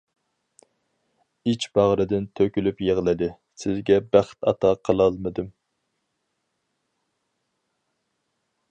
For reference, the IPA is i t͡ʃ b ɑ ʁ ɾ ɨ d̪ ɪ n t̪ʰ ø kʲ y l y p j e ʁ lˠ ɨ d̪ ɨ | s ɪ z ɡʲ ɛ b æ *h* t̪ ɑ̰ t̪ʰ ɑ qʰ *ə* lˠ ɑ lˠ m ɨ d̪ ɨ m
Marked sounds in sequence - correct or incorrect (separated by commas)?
incorrect, correct